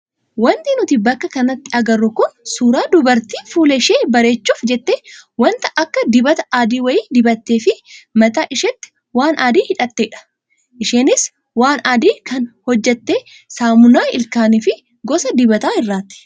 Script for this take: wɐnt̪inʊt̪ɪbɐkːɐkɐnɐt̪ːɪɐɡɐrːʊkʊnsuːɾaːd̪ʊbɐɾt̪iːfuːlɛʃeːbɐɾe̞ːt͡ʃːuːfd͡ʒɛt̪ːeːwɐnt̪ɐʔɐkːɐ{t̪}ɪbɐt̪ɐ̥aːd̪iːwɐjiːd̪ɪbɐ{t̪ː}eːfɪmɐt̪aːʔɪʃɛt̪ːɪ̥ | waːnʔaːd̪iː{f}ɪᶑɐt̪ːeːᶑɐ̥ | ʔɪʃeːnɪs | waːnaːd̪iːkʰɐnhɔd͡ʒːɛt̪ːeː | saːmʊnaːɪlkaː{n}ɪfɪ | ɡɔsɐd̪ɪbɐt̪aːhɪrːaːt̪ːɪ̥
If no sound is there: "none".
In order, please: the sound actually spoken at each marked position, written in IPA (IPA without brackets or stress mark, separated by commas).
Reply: d̪, t̪ː, h, n